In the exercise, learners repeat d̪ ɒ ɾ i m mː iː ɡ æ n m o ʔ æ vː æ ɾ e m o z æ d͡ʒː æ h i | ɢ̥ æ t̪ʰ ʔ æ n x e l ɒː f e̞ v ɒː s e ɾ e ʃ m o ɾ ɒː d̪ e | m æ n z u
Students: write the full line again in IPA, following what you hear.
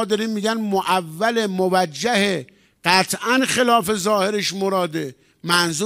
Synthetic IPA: d̪ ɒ ɾ i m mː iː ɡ æ n m o ʔ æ vː æ l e m o v æ d͡ʒː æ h e | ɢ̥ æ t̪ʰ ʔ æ n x e l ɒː f e̞ z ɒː h e ɾ e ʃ m o ɾ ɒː d̪ e | m æ n z u